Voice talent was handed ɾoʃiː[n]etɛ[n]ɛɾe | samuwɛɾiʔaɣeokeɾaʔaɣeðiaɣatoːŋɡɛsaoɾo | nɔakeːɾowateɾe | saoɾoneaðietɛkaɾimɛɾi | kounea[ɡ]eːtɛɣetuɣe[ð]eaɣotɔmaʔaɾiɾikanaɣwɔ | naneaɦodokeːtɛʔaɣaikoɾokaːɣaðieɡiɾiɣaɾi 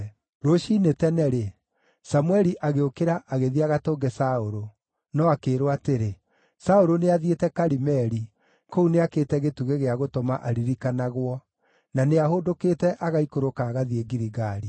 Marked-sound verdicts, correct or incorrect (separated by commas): correct, correct, incorrect, incorrect